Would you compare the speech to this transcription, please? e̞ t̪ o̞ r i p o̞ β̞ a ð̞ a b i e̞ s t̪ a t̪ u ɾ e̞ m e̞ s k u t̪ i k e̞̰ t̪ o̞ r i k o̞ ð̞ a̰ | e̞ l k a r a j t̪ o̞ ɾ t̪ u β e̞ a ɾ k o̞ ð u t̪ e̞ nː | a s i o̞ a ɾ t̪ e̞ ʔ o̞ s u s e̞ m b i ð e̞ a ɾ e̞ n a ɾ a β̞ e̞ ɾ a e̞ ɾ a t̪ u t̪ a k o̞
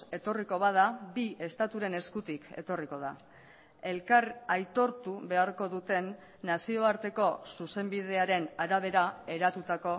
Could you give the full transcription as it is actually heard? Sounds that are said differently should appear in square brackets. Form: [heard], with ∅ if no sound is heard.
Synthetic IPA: e̞ t̪ o̞ r i [k] o̞ β̞ a ð̞ a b i e̞ s t̪ a t̪ u ɾ e̞ [n] e̞ s k u t̪ i k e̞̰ t̪ o̞ r i k o̞ ð̞ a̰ | e̞ l k a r a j t̪ o̞ ɾ t̪ u β e̞ a ɾ k o̞ ð u t̪ e̞ nː | a s i o̞ a ɾ t̪ e̞ [k] o̞ s u s e̞ m b i ð e̞ a ɾ e̞ n a ɾ a β̞ e̞ ɾ a e̞ ɾ a t̪ u t̪ a k o̞